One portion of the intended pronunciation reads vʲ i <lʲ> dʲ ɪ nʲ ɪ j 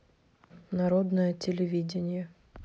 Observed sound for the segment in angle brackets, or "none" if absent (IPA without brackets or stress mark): none